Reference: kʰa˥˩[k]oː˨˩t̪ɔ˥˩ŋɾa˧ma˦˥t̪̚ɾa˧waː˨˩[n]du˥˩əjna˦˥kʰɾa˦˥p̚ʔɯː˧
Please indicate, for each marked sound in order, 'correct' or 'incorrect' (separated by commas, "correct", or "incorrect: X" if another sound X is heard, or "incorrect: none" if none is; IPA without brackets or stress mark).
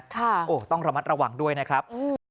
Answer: incorrect: ʔ, incorrect: ŋ